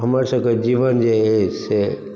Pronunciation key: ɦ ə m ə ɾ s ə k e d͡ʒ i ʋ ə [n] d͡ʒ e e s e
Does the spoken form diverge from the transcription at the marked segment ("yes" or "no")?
no